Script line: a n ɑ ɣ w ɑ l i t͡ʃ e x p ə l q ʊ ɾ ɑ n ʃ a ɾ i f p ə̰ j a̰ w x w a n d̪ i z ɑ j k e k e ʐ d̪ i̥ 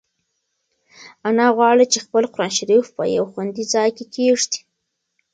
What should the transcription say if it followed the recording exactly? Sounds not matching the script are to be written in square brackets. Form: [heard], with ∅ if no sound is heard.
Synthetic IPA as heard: a n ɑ ɣ w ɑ [ɽ] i t͡ʃ e x p ə l q ʊ ɾ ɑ n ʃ a ɾ i f p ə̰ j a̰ w x w a n d̪ i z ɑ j k e k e ʐ d̪ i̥